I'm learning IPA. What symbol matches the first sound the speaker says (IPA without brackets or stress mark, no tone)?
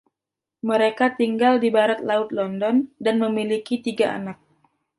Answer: m